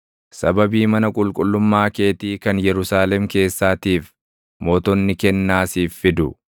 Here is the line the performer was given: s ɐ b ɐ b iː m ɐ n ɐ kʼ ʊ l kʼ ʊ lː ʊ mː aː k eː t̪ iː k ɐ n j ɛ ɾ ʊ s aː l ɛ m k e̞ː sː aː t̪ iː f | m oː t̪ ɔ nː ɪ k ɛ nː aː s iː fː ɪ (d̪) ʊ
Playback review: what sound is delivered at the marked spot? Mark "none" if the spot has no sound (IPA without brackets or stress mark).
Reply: d̪